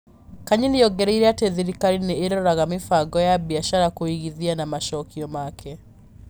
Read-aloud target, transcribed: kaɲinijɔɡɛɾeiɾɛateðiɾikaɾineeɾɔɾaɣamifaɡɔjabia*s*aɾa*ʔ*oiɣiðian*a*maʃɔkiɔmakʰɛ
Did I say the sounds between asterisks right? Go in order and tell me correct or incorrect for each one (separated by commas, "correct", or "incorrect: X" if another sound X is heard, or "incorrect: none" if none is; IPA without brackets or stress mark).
incorrect: ʃ, incorrect: k, correct